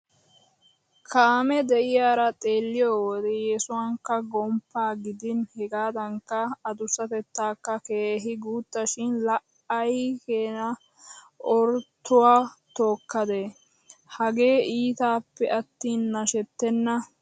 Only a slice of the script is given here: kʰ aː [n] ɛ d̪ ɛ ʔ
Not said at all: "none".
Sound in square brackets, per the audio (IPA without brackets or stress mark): m